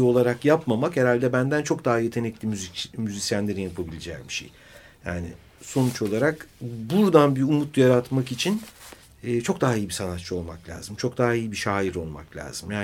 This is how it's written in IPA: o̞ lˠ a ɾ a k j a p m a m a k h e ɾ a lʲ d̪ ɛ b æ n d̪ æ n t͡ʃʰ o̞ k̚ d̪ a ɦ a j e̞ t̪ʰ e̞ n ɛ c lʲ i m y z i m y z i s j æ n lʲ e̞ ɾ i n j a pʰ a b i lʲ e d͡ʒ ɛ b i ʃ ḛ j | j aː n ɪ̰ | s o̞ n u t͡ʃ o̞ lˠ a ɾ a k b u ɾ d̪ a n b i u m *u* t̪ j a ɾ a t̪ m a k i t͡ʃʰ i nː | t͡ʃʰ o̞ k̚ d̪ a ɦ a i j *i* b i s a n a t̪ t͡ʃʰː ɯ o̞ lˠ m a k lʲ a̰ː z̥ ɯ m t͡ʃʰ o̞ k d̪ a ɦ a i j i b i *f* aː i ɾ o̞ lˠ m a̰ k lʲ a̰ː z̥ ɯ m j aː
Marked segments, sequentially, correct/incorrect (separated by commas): correct, correct, incorrect